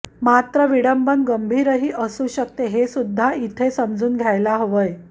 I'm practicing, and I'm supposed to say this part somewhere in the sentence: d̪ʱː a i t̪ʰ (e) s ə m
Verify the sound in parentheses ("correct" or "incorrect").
correct